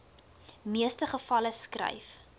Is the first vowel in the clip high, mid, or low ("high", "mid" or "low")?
high